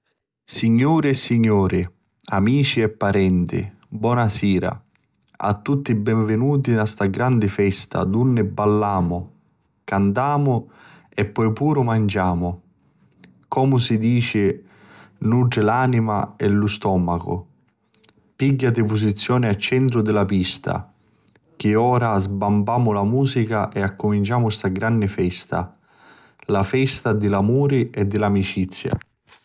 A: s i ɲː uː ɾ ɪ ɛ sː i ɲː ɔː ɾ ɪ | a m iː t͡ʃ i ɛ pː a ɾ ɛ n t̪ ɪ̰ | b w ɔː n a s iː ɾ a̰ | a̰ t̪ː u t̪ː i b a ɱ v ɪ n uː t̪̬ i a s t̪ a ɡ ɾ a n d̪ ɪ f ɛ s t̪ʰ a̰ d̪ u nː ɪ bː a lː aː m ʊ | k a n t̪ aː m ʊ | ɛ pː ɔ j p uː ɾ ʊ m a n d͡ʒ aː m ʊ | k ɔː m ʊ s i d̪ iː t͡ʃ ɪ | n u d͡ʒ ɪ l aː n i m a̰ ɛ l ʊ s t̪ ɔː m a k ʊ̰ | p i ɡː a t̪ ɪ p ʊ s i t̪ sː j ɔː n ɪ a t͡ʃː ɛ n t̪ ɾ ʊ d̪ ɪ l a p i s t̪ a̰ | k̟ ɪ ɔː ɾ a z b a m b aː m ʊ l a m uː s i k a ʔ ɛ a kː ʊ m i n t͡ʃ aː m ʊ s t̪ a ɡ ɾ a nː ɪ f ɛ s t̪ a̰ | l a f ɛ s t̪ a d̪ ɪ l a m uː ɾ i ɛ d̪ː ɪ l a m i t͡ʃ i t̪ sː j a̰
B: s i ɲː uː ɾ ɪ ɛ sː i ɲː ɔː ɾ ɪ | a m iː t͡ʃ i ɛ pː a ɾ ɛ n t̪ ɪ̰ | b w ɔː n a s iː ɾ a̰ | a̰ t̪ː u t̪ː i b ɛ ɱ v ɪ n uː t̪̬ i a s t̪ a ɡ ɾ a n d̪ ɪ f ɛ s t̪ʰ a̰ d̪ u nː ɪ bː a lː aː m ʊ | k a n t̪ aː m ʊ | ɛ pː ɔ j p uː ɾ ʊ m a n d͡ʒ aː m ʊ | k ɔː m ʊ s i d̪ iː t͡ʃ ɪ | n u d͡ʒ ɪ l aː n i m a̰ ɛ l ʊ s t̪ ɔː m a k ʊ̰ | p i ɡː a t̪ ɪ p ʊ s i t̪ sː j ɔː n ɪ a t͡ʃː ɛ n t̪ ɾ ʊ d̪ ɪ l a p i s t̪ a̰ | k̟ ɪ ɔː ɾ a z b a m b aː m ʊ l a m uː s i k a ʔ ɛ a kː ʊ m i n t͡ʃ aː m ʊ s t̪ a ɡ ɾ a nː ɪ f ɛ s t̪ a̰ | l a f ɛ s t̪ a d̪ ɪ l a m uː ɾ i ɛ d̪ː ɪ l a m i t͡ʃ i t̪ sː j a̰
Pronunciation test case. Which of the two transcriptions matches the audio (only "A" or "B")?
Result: B